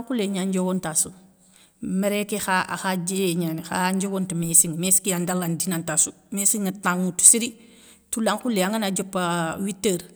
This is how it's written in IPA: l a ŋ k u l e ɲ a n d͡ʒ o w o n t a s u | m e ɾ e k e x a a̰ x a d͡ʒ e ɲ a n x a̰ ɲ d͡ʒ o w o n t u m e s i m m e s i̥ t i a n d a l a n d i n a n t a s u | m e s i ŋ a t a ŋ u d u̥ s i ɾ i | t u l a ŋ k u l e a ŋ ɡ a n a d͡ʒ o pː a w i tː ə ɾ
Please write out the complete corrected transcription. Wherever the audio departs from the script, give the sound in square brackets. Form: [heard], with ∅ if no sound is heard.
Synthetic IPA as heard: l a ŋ k u l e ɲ a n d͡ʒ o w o n t a s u | m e ɾ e k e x a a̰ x a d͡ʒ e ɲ a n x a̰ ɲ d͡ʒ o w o n t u m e s i [ŋ] m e s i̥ [k] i a n d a l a n d i n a n t a s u | m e s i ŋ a t a ŋ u [t] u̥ s i ɾ i | t u l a ŋ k u l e a ŋ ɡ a n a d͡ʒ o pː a w i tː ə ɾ